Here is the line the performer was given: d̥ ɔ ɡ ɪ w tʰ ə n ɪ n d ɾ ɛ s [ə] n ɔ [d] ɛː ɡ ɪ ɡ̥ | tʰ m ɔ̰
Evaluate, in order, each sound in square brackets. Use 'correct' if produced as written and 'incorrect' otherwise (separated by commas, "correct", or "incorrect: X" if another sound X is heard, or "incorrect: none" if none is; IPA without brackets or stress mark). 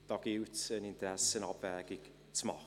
correct, incorrect: b